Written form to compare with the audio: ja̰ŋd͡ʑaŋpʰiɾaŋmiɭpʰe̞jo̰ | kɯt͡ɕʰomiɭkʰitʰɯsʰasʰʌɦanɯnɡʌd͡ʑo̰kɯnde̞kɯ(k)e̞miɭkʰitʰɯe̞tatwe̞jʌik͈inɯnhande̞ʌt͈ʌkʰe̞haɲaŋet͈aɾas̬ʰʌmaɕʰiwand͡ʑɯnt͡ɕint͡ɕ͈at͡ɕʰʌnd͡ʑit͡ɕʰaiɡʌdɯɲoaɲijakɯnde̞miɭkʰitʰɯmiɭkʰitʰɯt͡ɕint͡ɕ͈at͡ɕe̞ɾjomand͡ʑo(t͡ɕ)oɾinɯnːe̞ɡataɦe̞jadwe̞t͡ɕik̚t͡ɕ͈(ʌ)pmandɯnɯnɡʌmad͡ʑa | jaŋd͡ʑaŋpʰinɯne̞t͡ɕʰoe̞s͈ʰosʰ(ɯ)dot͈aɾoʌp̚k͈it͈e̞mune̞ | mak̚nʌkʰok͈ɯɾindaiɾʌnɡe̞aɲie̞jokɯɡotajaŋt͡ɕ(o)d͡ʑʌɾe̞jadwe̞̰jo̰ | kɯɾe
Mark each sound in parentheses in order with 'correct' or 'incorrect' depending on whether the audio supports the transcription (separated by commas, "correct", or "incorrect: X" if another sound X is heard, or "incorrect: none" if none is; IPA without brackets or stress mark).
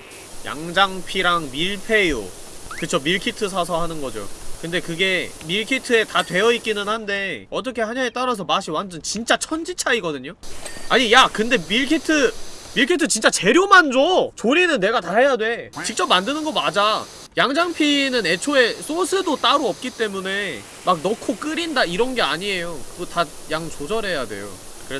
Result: incorrect: ɡ, correct, correct, correct, correct